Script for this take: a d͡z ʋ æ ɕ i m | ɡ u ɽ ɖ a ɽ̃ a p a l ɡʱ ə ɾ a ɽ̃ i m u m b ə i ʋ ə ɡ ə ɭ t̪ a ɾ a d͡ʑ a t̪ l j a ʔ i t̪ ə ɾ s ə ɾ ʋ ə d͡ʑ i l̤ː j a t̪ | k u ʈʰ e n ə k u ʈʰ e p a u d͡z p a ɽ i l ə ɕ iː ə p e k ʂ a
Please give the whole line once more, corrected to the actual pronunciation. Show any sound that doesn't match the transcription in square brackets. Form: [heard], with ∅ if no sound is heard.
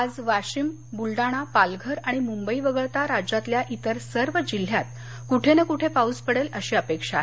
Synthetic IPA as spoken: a d͡z ʋ [a] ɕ i m | [b] u [l] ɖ a ɽ̃ a p a l ɡʱ ə ɾ a ɽ̃ i m u m b ə i ʋ ə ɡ ə ɭ t̪ a ɾ a d͡ʑ a t̪ l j a ʔ i t̪ ə ɾ s ə ɾ ʋ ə d͡ʑ i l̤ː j a t̪ | k u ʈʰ e n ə k u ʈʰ e p a u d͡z p [ə] ɽ [e] l ə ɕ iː ə p e k ʂ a